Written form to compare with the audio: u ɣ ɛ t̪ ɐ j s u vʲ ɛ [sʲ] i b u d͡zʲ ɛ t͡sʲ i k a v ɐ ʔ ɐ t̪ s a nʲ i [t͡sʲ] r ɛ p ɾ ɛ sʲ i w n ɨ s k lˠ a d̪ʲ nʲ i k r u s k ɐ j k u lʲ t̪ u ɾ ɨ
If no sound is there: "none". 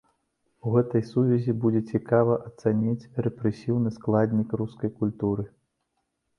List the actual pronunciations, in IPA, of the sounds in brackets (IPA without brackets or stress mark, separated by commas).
zʲ, t͡sʲ